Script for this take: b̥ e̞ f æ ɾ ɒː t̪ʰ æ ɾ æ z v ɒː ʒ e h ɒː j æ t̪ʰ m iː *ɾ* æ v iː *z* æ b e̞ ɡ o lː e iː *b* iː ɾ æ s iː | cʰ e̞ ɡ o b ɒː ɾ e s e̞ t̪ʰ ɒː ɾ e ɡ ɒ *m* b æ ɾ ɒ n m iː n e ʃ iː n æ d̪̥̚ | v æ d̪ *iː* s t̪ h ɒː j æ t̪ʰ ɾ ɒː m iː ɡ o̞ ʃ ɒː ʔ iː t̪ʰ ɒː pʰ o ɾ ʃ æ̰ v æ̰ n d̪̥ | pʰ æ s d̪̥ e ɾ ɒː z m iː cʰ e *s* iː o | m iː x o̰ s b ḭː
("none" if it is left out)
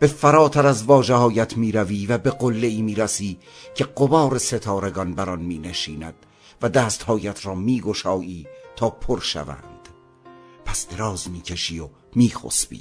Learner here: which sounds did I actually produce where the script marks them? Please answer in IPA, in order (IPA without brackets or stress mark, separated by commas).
ɾ, v, m, n, æː, ʃ